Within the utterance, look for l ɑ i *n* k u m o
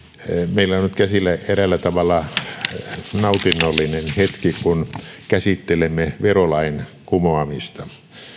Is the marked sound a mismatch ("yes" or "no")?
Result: no